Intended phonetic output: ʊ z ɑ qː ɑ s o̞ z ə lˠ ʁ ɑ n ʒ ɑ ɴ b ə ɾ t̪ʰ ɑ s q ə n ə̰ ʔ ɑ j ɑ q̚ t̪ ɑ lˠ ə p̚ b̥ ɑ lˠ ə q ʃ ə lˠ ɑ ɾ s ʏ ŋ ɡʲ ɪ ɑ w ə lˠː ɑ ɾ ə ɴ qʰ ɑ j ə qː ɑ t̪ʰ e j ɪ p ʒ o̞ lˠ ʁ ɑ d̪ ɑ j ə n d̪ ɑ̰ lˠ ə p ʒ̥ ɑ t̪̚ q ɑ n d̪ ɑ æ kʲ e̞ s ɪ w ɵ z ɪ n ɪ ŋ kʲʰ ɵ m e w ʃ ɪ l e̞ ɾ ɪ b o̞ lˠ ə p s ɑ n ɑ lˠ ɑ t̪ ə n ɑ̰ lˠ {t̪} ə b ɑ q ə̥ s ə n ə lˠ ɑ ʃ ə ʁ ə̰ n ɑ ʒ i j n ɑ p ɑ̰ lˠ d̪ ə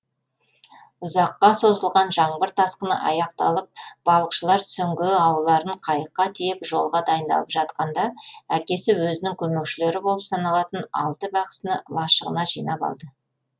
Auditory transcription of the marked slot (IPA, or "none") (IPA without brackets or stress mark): t̪